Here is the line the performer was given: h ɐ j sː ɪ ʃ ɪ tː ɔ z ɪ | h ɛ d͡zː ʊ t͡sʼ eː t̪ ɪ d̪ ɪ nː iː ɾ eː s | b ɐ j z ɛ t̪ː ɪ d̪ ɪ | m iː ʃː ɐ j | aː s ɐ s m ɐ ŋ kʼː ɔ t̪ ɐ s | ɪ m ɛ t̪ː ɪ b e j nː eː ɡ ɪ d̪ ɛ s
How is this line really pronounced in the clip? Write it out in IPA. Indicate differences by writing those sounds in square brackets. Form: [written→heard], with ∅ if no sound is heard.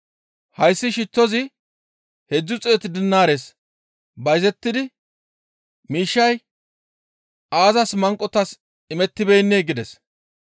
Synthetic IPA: h ɐ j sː ɪ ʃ ɪ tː ɔ z ɪ | h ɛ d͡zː ʊ t͡sʼ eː t̪ ɪ d̪ ɪ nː [iː→aː] ɾ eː s | b ɐ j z ɛ t̪ː ɪ d̪ ɪ | m iː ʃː ɐ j | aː [s→z] ɐ s m ɐ ŋ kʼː ɔ t̪ ɐ s | ɪ m ɛ t̪ː ɪ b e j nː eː ɡ ɪ d̪ ɛ s